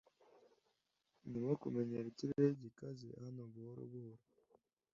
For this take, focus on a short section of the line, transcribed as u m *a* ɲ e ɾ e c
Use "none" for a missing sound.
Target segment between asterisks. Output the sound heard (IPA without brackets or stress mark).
e